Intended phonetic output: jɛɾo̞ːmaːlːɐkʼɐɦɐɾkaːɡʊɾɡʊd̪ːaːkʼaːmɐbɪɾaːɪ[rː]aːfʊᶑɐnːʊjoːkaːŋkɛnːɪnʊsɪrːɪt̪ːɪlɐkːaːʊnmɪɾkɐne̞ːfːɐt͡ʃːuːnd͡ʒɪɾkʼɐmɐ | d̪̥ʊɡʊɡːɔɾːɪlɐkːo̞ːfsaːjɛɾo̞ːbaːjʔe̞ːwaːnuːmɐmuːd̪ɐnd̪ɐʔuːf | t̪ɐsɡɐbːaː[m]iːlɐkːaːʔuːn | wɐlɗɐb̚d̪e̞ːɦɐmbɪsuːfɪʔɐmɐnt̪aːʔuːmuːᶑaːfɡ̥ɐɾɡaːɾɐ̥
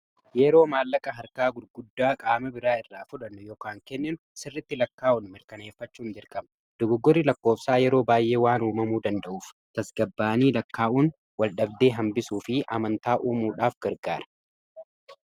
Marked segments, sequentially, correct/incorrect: correct, incorrect

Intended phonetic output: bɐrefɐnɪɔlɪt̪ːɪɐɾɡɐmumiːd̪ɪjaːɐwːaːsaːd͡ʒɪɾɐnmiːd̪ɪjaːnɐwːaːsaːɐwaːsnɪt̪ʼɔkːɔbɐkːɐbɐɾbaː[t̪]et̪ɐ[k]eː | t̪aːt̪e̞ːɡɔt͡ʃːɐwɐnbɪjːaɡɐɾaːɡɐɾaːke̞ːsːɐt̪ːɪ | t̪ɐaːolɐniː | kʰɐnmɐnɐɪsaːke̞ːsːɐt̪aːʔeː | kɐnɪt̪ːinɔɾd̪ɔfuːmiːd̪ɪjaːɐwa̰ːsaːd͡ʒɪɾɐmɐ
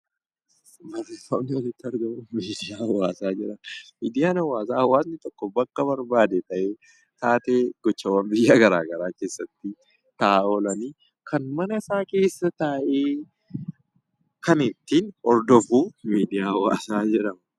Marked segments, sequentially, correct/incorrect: incorrect, incorrect

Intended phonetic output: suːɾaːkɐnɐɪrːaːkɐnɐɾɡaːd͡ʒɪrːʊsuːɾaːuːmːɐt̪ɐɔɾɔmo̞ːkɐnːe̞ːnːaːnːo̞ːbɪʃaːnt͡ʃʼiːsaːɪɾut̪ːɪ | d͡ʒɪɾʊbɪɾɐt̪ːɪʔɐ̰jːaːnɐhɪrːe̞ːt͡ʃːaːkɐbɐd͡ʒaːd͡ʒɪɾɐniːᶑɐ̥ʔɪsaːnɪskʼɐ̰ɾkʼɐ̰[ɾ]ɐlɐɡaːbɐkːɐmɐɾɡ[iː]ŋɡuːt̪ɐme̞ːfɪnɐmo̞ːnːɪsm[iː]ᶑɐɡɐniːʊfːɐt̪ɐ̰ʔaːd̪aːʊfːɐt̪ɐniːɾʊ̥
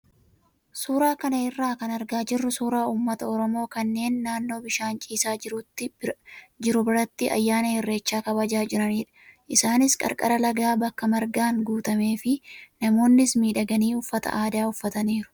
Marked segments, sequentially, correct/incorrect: correct, incorrect, correct

